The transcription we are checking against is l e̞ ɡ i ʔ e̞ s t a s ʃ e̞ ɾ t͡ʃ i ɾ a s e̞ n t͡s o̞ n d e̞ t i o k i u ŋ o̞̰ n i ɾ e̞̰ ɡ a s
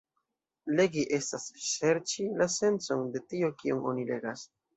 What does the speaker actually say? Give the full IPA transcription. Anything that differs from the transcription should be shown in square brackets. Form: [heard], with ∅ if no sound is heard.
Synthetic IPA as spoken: l e̞ ɡ i ʔ e̞ s t a s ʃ e̞ ɾ t͡ʃ i [l] a s e̞ n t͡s o̞ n d e̞ t i o k i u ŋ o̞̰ n i [l] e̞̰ ɡ a s

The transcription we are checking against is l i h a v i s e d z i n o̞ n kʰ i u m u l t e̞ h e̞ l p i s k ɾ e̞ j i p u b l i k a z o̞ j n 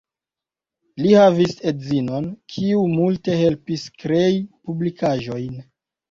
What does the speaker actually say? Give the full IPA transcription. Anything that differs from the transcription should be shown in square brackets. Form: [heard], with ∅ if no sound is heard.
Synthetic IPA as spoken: l i h a v i s e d z i n o̞ n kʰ i u m u l t e̞ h e̞ l p i s k ɾ e̞ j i p u b l i k a [ʒ] o̞ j n

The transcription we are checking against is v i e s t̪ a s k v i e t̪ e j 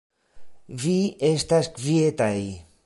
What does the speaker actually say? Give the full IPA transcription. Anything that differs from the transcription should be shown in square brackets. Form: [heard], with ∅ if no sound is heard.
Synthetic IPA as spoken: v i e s t̪ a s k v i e t̪ [a] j

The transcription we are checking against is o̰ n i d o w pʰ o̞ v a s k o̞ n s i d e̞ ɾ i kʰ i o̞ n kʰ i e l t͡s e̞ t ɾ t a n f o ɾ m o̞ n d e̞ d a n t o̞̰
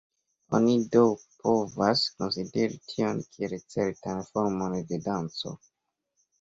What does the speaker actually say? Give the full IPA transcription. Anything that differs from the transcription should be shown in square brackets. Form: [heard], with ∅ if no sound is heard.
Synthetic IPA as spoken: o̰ n i d o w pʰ o̞ v a s k o̞ n s i d e̞ ɾ i [tʰ] i o̞ n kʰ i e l t͡s e̞ [∅] ɾ t a n f o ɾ m o̞ n d e̞ d a n [t͡s] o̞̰

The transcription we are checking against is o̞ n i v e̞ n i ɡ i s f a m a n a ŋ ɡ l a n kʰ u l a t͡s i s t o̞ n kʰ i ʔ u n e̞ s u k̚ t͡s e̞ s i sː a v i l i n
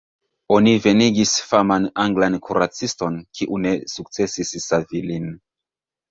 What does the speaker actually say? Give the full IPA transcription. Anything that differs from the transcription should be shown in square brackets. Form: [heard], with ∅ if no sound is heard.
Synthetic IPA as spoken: o̞ n i v e̞ n i ɡ i s f a m a n a ŋ ɡ l a n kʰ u [ɾ] a t͡s i s t o̞ n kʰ i ʔ u n e̞ s u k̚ t͡s e̞ s i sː a v i l i n

